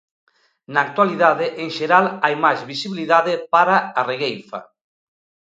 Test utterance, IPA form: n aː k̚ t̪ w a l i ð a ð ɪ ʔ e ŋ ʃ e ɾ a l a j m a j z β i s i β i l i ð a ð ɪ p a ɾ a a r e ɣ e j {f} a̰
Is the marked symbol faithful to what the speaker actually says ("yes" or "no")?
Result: yes